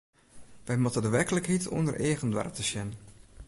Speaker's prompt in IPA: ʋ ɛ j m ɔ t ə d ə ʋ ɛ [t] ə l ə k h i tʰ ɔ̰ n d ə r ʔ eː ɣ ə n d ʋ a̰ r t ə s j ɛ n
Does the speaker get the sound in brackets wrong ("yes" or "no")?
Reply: yes